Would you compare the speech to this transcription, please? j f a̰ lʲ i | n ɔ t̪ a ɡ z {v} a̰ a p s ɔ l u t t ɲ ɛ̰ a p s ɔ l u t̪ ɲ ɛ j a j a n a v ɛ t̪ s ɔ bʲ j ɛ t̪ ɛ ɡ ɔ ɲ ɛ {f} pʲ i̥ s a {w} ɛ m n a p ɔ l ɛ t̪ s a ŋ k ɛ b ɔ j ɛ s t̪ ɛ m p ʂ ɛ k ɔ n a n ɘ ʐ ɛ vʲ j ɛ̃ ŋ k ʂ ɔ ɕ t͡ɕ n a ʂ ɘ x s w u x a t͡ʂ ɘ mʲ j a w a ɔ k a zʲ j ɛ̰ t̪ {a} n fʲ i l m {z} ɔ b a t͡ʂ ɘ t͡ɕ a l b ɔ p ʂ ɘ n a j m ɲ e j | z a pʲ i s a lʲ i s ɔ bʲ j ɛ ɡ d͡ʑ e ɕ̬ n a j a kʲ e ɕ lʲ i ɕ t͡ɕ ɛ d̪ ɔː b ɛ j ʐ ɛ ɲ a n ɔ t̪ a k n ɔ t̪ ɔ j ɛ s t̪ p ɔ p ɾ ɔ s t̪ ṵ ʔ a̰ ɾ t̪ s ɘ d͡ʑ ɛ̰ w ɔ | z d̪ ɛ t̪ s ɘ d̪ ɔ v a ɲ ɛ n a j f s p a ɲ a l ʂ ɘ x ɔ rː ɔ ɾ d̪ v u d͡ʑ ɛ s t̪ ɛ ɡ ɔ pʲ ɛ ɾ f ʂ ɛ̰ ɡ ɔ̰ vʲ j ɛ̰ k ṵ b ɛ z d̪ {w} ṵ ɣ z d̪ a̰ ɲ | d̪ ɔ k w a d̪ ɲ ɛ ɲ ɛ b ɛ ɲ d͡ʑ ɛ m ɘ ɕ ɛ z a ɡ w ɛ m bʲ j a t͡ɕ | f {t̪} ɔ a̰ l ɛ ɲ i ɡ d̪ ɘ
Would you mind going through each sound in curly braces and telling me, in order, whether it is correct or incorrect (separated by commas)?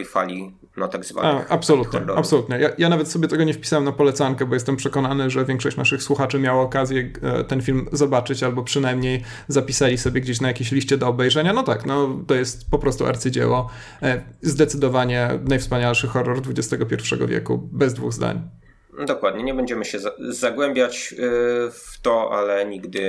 correct, correct, correct, incorrect, correct, incorrect, correct